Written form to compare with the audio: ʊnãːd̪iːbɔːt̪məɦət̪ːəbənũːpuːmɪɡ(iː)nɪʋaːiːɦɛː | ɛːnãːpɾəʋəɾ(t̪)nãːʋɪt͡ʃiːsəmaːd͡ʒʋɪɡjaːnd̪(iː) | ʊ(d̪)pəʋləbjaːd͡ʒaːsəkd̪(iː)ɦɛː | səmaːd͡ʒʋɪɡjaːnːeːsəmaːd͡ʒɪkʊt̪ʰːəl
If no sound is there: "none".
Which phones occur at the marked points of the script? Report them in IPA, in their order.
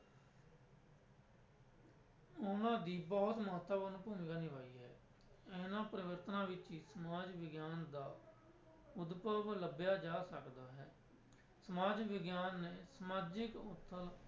aː, t̪, aː, d̪, aː

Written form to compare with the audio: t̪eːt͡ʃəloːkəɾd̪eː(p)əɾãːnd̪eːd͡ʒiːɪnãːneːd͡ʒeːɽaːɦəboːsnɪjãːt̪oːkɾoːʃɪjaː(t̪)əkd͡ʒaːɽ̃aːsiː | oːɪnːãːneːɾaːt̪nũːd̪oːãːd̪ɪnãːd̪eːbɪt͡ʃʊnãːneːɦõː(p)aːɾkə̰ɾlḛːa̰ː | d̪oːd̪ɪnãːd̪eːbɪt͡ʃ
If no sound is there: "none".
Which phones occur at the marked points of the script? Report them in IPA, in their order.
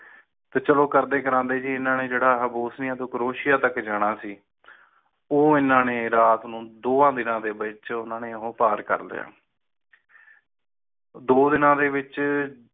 k, t̪, p

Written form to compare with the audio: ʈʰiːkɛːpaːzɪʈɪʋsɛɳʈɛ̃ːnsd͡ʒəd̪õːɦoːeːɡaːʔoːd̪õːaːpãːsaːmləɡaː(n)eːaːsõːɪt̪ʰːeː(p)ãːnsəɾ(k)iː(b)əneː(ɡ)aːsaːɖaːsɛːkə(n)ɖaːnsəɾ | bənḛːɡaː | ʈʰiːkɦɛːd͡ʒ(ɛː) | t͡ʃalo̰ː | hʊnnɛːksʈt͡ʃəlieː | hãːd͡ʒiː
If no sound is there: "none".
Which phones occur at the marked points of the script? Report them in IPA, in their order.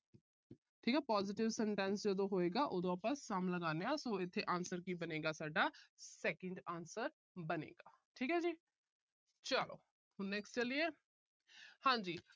n, ʔ, k, b, ɡ, ɳ, iː

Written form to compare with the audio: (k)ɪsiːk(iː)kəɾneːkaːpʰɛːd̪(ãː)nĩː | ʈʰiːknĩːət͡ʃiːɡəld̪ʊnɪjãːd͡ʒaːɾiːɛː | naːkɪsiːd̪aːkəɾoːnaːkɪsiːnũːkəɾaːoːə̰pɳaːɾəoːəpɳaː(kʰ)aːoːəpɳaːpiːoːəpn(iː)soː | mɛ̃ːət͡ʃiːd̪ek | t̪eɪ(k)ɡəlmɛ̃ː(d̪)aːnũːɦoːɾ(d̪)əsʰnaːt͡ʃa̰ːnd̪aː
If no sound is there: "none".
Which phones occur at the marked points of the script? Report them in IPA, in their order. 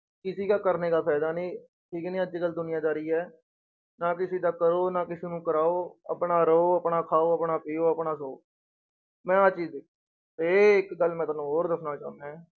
k, aː, aː, kʰ, aː, k, t̪, d̪

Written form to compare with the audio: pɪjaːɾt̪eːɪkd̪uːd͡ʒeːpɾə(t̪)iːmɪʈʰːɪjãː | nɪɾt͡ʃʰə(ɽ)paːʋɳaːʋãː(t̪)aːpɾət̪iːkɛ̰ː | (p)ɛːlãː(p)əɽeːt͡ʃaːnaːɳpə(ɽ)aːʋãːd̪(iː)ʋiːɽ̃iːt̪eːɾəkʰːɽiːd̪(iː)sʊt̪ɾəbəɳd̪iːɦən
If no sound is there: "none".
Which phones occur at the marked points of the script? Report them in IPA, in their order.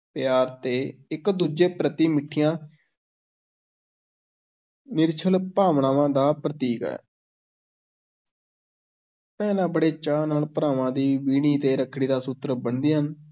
t̪, l, d̪, p, b, ɾ, iː, aː

